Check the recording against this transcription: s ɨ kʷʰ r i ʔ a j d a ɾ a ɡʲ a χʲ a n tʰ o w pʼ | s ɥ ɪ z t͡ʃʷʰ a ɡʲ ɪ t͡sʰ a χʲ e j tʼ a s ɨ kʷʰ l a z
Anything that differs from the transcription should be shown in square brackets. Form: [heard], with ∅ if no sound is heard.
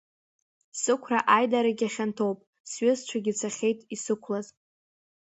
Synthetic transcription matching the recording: s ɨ kʷʰ r [a] ʔ a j d a ɾ a ɡʲ a χʲ a n tʰ o w pʼ | s ɥ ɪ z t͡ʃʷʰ a ɡʲ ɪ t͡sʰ a χʲ e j tʼ [i] s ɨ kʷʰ l a z